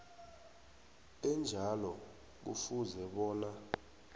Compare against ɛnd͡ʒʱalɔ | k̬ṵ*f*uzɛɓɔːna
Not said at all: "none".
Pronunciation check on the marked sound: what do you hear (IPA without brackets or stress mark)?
f